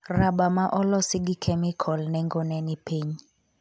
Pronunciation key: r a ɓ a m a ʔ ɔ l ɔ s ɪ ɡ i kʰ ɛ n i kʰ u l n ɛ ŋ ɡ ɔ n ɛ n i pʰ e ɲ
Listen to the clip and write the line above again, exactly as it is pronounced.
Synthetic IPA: r a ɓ a m a ʔ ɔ l ɔ s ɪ ɡ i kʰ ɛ m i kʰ ɔ l n ɛ ŋ ɡ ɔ n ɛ n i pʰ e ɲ

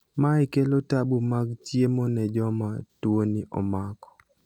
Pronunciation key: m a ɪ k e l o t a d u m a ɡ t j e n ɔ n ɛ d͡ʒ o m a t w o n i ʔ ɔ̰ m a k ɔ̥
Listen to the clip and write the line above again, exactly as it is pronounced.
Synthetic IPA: m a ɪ k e l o t a b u m a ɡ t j e m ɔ n ɛ d͡ʒ ɔ m a t w o n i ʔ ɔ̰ m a k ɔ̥

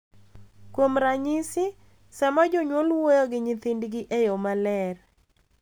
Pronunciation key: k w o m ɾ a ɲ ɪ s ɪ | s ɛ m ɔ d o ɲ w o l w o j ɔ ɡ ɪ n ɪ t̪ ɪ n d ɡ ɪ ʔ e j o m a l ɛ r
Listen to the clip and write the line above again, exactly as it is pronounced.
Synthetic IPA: k w o m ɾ a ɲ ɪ s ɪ | s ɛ m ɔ d͡ʒ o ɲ w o l w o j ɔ ɡ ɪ ɲ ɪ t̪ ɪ n d ɡ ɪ ʔ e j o m a l ɛ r

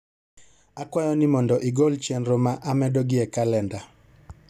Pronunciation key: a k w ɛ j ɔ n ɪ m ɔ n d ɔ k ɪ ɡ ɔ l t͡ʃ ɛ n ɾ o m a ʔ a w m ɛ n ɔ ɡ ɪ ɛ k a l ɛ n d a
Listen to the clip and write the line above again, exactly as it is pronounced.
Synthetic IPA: a k w a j ɔ n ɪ m ɔ n d ɔ ʔ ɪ ɡ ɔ l t͡ʃ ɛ n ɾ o m a ʔ a m ɛ d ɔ ɡ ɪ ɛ k a l ɛ n d a

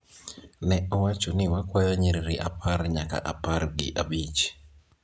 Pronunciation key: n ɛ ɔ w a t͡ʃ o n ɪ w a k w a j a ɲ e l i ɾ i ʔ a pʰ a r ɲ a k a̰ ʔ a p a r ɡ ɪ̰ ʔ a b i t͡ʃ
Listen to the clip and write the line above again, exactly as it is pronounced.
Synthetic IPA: n ɛ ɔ w a t͡ʃ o n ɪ w a k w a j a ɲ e ɾ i ɾ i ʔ a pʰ a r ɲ a k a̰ ʔ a p a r ɡ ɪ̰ ʔ a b i t͡ʃ

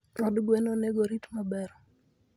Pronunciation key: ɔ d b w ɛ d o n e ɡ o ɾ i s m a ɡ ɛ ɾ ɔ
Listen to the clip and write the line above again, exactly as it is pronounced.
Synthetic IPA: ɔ d ɡ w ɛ n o n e ɡ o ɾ i t m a b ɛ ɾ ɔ

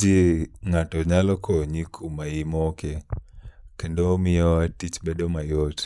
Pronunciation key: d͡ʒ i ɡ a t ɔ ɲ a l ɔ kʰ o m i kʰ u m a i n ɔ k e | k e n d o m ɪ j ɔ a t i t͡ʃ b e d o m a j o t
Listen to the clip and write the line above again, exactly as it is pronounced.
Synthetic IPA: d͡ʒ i ŋ a t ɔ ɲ a l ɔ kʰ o ɲ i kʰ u m a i m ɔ k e | k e n d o m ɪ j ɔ a t i t͡ʃ b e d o m a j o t

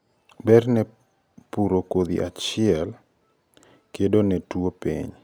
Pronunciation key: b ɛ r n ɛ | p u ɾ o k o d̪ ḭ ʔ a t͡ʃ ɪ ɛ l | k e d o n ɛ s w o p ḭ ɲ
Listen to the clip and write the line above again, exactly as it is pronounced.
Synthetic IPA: b ɛ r n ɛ | p u ɾ o k o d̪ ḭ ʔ a t͡ʃ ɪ ɛ l | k e d o n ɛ t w o p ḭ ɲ

